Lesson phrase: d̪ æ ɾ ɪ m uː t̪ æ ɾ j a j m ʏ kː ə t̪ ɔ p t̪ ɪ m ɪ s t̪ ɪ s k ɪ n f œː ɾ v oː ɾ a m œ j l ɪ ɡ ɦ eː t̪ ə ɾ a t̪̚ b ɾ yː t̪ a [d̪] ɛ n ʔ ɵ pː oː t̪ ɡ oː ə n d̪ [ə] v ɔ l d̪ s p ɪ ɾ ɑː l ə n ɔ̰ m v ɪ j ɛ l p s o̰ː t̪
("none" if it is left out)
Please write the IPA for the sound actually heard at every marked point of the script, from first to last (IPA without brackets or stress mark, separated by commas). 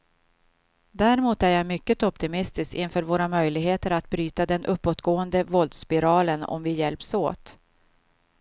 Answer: d̪, ə